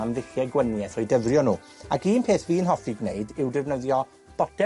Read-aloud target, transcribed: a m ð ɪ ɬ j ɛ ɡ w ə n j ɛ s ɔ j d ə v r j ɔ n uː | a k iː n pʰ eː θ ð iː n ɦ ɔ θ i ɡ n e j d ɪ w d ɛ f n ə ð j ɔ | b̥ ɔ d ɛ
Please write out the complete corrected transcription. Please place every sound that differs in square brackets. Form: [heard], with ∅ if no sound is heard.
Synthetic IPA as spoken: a m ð ɪ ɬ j ɛ ɡ w ə n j ɛ [θ] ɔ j d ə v r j ɔ n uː | a k iː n pʰ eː θ [v] iː n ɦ ɔ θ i ɡ n e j d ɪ w d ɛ [v] n ə ð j ɔ | b̥ ɔ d ɛ

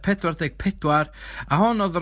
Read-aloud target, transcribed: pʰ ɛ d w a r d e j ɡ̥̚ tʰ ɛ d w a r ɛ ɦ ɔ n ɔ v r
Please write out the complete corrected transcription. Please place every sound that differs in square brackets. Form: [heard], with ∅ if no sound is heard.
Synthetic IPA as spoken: pʰ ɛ d w a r d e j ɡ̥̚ [pʰ] ɛ d w a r [a] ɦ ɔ n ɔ [ð] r

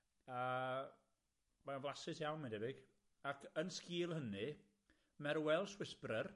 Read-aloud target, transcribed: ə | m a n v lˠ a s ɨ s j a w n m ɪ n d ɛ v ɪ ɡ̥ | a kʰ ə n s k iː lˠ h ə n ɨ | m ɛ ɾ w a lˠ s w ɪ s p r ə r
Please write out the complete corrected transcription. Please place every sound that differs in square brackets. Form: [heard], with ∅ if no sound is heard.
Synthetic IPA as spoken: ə | m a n v lˠ a s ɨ s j a w n m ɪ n d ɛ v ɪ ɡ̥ | a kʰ ə n s k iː lˠ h ə n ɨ | m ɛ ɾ w [ɛ] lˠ s w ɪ s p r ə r

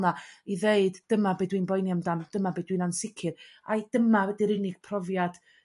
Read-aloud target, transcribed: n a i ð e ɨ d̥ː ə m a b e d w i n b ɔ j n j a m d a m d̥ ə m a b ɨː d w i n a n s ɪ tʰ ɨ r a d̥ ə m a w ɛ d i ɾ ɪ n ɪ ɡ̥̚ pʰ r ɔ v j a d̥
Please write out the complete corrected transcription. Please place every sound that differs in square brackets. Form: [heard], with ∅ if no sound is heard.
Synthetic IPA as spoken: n a i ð e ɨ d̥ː ə m a b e d w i n b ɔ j n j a m d a m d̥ ə m a b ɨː d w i n a n s ɪ [kʰ] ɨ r a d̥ ə m a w ɛ d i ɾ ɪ n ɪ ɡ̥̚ pʰ r ɔ v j a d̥

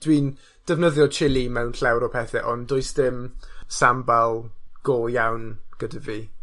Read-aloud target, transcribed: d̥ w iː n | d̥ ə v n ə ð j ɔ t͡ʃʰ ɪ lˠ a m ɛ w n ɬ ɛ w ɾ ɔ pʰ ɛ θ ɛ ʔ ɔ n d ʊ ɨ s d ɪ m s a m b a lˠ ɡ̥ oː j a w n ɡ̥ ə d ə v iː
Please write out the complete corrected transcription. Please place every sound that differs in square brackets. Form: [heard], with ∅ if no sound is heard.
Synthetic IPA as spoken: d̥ w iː n | d̥ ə v n ə ð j ɔ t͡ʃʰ ɪ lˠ [i] m ɛ w n ɬ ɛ w ɾ ɔ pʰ ɛ θ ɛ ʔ ɔ n d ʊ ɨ s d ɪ m s a m b a lˠ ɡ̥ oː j a w n ɡ̥ ə d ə v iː

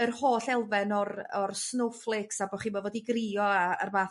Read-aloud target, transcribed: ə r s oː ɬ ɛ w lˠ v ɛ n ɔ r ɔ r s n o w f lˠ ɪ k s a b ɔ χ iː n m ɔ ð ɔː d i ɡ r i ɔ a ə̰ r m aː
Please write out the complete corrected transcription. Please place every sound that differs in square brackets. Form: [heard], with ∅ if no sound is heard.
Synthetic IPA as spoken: ə r [h] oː ɬ ɛ [∅] lˠ v ɛ n ɔ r ɔ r s n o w f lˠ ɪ k s a b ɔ χ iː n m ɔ [v] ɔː d i ɡ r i ɔ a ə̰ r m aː

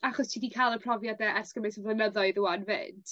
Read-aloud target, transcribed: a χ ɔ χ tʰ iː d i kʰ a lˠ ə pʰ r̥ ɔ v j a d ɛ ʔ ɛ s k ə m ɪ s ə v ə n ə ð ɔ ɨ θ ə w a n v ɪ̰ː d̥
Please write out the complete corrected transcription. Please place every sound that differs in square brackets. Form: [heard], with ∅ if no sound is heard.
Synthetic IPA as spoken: a χ ɔ [s] tʰ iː d i kʰ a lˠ ə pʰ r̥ ɔ v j a d ɛ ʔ ɛ s k ə m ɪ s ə v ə n ə ð ɔ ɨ [ð] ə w a n v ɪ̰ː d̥

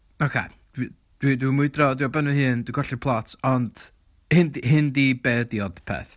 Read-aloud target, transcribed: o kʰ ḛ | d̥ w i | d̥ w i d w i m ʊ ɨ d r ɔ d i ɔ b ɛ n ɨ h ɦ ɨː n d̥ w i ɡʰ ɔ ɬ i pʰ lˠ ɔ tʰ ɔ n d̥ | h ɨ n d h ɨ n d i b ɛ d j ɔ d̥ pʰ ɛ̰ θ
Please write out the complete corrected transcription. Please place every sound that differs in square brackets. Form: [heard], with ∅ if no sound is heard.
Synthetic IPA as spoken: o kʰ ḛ | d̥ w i | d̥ w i d w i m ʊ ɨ d r ɔ d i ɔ b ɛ n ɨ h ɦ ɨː n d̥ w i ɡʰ ɔ ɬ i pʰ lˠ ɔ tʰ ɔ n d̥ | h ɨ n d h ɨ n d i b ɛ d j ɔ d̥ pʰ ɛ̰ θ

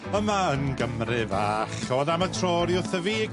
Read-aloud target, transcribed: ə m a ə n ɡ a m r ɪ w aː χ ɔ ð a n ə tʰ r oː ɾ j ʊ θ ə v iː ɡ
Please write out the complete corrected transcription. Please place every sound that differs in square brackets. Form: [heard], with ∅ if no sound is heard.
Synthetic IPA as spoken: ə m a ə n ɡ [ə] m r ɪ [v] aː χ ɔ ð a [m] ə tʰ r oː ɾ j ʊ θ ə v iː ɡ

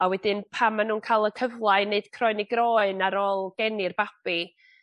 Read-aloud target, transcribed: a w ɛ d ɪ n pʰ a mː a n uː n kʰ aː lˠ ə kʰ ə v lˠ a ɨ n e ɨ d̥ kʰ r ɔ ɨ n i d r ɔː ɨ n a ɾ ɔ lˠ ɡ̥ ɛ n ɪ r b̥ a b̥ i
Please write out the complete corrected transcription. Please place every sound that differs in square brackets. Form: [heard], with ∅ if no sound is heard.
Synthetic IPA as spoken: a w ɛ d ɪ n pʰ a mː a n uː n kʰ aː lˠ ə kʰ ə v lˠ a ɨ n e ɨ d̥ kʰ r ɔ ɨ n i [ɡ] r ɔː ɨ n a ɾ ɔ lˠ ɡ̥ ɛ n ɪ r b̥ a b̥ i

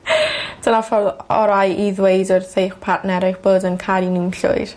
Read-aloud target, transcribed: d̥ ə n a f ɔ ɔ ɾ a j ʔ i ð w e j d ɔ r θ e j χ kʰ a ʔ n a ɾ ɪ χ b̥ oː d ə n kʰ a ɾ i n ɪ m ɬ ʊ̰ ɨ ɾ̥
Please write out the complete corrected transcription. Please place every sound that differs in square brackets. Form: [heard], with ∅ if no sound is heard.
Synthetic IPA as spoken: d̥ ə n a f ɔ ɔ ɾ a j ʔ i ð w e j d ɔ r θ e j χ [pʰ] a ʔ n [ɛ] ɾ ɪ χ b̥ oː d ə n kʰ a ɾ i n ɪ m ɬ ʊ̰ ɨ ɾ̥

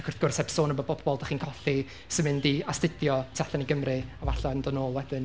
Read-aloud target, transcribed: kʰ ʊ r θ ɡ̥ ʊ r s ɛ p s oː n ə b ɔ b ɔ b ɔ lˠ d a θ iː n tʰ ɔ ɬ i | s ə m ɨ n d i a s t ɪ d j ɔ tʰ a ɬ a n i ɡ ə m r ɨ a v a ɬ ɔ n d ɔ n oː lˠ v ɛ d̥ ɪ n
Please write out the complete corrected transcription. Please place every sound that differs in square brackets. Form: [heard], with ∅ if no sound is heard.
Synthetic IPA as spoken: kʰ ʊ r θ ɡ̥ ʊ r s ɛ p s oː n ə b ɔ b ɔ b ɔ lˠ d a [χ] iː n [kʰ] ɔ ɬ i | s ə m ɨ n d i a s t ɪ d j ɔ tʰ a ɬ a n i ɡ ə m r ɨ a v a ɬ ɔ n d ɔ n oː lˠ [w] ɛ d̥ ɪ n

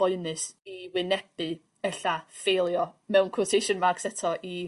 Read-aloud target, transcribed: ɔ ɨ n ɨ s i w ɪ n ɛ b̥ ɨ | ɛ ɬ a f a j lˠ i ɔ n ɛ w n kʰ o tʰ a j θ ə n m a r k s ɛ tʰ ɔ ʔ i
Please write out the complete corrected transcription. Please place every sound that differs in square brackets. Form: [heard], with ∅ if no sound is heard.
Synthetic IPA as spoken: ɔ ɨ n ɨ s i w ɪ n ɛ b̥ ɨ | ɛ ɬ a f [e] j lˠ [j] ɔ [m] ɛ w n kʰ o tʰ [e] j [ʃ] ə n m a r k s ɛ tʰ ɔ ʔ i

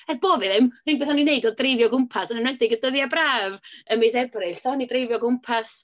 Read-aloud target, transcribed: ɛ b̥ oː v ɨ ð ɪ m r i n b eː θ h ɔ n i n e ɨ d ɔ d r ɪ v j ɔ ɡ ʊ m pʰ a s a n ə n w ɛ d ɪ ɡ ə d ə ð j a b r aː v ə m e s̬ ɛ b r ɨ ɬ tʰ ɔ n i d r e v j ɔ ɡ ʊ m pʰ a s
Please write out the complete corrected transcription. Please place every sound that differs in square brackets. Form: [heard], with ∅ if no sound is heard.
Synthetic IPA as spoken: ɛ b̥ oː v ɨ ð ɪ m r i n b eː θ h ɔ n i n e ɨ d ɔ d r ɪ v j ɔ ɡ ʊ m pʰ a s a n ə n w ɛ d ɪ ɡ ə d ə ð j a b r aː v ə m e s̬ ɛ b r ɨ ɬ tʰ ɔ n i d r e v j ɔ ɡ ʊ m pʰ a s

